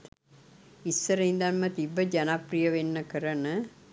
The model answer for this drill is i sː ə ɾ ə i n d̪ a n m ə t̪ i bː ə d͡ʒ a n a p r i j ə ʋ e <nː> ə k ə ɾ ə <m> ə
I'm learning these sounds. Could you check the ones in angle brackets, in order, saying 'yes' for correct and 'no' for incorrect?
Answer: yes, no

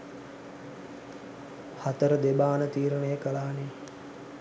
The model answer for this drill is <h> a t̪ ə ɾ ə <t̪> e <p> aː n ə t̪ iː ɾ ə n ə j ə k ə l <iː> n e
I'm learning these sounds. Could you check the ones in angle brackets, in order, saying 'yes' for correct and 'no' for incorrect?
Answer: yes, no, no, no

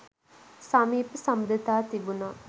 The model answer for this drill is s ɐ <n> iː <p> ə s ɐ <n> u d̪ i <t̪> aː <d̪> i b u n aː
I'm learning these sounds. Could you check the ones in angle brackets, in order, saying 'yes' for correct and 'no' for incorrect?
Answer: no, yes, no, yes, no

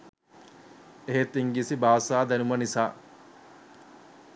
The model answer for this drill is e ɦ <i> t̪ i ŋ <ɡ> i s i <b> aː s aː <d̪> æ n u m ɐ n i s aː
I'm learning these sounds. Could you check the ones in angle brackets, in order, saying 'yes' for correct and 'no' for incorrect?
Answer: no, yes, yes, yes

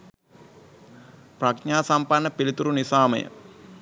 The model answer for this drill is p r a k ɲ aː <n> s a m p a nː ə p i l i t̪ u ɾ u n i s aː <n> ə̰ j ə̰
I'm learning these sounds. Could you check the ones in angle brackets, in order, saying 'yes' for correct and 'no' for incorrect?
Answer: no, no

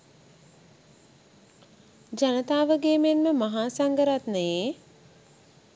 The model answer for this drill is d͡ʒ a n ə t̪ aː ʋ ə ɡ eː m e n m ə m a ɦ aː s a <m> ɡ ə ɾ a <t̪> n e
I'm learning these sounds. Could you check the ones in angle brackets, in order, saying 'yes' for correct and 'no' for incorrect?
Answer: no, yes

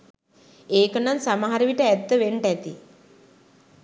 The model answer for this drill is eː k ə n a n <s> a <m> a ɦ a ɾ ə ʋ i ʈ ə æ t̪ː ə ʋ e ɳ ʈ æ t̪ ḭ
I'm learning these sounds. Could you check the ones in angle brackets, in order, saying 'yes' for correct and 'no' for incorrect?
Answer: yes, yes

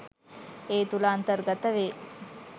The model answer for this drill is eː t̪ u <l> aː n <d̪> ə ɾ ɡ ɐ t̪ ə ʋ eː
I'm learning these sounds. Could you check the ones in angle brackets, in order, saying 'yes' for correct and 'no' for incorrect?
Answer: yes, no

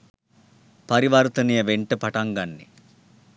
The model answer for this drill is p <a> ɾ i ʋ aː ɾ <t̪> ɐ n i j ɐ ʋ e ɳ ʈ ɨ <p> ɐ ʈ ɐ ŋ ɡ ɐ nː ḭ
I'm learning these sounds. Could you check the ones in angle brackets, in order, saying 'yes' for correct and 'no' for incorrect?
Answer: no, yes, yes

